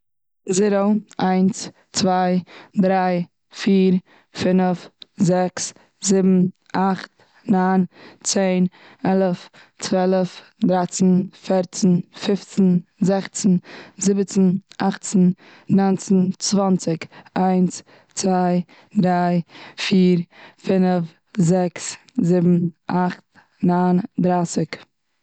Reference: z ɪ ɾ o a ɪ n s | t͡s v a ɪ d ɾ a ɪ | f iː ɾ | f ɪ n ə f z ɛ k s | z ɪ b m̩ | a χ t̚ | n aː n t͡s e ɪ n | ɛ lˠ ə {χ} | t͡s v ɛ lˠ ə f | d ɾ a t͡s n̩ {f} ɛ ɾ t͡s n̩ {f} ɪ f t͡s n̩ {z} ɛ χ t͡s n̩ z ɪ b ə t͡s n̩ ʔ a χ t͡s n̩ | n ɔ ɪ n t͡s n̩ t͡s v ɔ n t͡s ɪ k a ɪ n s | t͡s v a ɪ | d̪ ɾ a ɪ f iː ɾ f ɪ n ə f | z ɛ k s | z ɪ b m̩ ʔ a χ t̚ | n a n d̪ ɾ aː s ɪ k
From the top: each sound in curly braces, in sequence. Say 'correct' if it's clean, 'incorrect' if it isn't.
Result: incorrect: f, correct, correct, correct

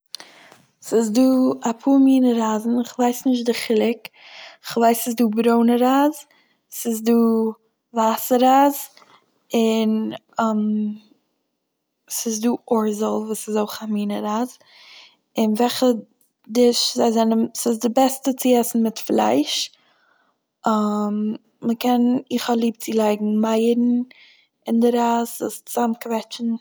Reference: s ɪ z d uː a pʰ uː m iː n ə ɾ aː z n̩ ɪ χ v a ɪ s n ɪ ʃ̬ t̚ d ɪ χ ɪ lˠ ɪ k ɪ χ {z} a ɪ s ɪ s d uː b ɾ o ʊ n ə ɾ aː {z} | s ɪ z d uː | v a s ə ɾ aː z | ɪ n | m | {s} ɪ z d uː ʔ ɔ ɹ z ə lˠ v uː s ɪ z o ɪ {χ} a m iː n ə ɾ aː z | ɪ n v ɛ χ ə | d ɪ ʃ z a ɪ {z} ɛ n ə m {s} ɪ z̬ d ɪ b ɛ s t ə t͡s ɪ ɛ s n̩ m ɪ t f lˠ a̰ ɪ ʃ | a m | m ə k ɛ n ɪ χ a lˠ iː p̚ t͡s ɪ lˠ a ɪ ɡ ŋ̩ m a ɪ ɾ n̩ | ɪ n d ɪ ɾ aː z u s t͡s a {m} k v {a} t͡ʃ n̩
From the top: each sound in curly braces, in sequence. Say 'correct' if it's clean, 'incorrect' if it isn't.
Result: incorrect: v, correct, correct, correct, correct, correct, correct, incorrect: ɛ

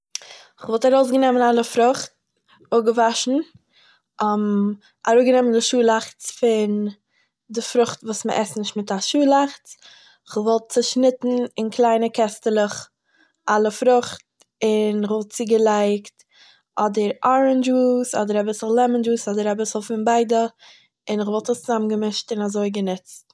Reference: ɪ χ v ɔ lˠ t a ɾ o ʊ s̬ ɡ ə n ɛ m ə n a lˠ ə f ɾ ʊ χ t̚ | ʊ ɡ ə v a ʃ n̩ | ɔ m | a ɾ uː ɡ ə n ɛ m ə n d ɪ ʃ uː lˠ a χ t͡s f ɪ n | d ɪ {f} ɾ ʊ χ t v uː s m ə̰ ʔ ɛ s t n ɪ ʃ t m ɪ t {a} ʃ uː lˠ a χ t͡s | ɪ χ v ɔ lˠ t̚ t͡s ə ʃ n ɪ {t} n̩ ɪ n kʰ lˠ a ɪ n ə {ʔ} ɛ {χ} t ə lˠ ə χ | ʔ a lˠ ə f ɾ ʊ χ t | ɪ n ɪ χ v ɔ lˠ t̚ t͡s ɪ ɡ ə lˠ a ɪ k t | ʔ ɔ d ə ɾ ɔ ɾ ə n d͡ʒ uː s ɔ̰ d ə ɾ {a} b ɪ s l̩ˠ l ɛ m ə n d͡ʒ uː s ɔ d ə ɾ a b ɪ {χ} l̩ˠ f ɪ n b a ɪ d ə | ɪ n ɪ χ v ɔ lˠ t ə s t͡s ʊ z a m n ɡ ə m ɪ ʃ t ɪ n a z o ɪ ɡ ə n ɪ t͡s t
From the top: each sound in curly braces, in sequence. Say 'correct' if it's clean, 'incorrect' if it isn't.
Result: correct, correct, correct, incorrect: k, incorrect: s, correct, incorrect: s

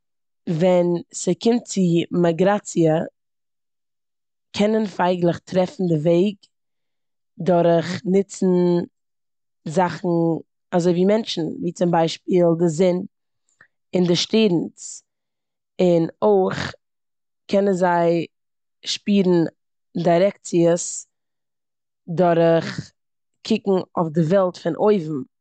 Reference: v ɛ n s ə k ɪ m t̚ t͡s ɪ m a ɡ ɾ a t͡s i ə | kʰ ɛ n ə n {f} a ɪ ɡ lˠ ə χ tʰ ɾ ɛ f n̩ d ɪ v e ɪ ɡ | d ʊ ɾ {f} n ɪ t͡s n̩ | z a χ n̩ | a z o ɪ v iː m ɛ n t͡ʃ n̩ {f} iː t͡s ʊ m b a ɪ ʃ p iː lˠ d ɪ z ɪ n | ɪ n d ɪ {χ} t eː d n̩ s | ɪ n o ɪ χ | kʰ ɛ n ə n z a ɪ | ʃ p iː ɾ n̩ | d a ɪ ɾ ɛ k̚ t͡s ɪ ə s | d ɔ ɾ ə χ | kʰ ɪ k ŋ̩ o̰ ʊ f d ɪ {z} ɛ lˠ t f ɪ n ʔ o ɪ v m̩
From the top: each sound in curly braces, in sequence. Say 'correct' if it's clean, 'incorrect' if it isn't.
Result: correct, incorrect: χ, incorrect: v, incorrect: ʃ, incorrect: v

